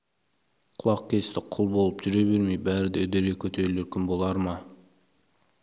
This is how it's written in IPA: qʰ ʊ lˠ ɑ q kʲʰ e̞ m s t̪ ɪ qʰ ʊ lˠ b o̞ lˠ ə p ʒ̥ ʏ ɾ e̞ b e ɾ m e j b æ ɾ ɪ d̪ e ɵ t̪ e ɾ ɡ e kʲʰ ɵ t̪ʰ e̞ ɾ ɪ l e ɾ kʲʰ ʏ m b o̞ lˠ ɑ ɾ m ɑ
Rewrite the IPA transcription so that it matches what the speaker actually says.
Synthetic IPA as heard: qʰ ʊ lˠ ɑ q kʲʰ e̞ s t̪ ɪ qʰ ʊ lˠ b o̞ lˠ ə p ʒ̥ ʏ ɾ e̞ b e ɾ m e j b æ ɾ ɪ d̪ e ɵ d̪ e ɾ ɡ e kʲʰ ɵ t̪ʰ e̞ ɾ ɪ l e ɾ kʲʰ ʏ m b o̞ lˠ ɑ ɾ m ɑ

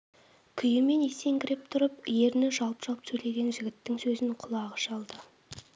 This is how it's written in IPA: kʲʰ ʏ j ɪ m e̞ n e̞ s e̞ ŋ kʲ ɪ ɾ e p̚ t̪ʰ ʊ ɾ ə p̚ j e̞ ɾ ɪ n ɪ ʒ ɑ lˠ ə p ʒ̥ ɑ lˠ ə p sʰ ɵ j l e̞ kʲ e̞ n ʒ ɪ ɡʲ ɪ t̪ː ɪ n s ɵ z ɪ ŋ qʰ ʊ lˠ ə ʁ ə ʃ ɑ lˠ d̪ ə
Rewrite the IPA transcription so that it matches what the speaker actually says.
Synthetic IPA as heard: kʲʰ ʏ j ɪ m e̞ n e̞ s e̞ ŋ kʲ ɪ ɾ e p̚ t̪ʰ ʊ ɾ ə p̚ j e̞ ɾ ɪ n ɪ ʒ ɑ lˠ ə p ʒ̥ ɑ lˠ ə p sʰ ɵ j l e̞ ɡʲ e̞ n ʒ ɪ ɡʲ ɪ t̪ː ɪ ŋ s ɵ z ɪ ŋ qʰ ʊ lˠ ɑ ʁ ə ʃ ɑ lˠ d̪ ə

